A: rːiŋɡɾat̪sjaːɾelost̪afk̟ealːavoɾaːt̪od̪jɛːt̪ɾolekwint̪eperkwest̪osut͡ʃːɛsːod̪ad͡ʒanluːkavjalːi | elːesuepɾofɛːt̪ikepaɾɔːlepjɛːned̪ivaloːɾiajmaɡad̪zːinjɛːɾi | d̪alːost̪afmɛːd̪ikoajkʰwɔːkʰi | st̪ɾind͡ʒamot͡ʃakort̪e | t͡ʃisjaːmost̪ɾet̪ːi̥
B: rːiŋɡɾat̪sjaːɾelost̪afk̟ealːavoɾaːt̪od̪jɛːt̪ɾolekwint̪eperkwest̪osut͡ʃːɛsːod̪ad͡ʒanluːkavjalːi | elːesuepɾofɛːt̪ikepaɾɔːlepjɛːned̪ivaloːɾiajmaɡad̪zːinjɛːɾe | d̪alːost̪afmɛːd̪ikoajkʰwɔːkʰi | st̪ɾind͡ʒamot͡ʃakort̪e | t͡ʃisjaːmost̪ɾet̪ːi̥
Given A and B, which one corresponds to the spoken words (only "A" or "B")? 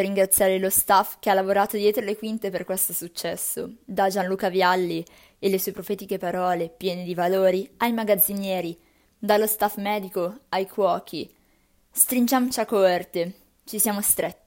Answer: A